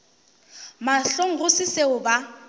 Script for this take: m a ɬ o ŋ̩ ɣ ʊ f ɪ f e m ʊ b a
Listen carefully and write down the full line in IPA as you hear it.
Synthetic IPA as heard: m a ɬ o ŋ̩ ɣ ʊ s ɪ s e ʊ b a